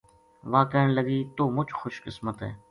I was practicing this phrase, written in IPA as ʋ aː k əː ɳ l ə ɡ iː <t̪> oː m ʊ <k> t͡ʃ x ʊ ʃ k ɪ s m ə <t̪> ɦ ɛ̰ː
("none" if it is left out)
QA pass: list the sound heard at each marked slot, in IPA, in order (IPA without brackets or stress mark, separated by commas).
t̪, none, t̪